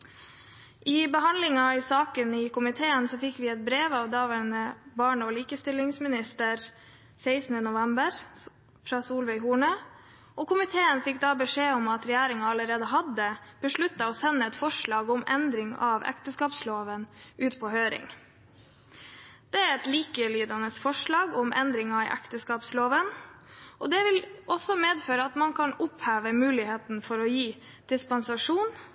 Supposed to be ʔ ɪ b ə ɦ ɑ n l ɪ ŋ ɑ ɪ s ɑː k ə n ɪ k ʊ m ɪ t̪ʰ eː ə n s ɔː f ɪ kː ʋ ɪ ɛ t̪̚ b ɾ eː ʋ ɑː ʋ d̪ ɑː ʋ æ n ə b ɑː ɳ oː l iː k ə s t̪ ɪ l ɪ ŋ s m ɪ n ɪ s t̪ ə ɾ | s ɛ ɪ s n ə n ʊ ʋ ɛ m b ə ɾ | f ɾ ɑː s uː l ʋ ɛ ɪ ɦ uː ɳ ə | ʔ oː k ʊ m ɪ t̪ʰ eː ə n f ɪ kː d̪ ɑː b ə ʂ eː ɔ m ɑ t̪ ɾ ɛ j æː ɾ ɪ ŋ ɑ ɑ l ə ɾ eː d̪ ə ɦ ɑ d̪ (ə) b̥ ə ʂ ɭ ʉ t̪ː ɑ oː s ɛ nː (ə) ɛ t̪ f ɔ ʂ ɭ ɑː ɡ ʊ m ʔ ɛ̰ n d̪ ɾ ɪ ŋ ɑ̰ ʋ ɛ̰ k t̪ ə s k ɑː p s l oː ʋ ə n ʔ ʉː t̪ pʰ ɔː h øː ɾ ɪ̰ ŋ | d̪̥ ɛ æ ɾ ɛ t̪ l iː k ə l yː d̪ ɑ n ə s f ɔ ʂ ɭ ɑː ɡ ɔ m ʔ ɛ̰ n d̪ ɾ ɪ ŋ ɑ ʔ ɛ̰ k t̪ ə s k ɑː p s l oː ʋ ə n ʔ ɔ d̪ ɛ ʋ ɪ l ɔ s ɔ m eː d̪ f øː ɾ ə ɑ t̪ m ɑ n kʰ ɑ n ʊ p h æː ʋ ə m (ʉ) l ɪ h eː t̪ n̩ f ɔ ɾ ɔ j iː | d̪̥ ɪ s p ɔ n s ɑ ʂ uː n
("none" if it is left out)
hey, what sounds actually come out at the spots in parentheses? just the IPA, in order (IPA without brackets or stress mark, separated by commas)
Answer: ə, ə, ʉː